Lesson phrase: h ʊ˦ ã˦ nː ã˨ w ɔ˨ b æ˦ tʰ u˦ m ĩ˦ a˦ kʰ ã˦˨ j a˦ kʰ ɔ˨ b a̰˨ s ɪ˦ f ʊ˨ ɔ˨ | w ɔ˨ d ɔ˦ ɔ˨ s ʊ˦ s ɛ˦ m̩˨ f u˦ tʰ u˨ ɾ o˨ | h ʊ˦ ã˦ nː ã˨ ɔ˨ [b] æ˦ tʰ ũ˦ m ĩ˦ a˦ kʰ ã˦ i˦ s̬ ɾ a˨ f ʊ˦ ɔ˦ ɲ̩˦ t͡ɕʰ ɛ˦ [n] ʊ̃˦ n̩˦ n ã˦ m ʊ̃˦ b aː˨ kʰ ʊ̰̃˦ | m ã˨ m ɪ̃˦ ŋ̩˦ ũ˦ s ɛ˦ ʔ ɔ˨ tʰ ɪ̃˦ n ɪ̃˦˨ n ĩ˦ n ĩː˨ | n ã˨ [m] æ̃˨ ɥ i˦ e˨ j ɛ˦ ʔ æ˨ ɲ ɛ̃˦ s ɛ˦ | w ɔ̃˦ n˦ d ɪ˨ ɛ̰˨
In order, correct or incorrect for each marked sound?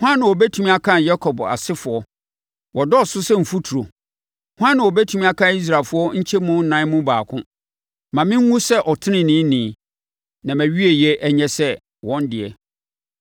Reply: correct, incorrect: m, correct

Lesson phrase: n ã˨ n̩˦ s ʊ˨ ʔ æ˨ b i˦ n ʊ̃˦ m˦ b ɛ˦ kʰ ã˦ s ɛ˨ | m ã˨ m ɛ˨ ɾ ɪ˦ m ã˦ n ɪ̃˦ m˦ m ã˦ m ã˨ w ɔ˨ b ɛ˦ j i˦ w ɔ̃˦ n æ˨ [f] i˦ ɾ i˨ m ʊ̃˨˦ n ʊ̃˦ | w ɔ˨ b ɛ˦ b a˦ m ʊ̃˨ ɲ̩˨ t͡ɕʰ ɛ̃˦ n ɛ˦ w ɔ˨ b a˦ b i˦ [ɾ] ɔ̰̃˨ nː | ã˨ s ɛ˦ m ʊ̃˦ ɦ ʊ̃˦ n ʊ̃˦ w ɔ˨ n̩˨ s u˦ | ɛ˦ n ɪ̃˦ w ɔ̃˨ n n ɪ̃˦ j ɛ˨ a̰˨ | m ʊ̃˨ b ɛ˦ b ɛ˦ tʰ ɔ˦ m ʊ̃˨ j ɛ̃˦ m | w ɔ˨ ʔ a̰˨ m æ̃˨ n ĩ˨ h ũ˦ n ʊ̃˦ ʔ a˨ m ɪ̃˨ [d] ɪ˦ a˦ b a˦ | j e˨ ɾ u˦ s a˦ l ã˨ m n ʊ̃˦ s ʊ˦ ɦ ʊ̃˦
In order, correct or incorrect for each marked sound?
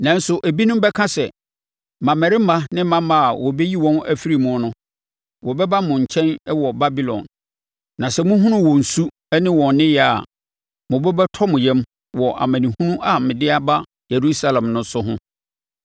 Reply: correct, incorrect: l, correct

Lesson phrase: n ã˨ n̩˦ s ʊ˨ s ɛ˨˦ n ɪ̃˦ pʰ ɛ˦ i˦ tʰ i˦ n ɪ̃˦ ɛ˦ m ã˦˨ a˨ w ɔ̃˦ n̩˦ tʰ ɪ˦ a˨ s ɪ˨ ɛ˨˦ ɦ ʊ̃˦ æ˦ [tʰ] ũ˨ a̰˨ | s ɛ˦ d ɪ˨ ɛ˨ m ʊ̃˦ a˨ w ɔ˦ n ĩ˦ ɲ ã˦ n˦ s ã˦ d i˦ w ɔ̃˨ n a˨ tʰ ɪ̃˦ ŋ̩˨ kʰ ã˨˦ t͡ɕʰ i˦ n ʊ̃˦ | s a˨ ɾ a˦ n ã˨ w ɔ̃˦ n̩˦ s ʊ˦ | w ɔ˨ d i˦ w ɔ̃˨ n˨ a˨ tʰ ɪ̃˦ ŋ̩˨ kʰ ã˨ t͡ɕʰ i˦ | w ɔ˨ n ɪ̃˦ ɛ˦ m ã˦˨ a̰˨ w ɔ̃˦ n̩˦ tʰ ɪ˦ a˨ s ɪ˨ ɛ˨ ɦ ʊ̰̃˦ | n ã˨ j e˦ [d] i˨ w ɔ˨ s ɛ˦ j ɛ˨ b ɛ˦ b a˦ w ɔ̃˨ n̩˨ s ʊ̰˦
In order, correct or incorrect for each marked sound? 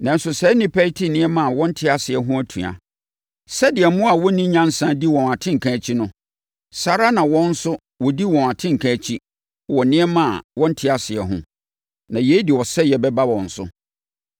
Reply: correct, correct

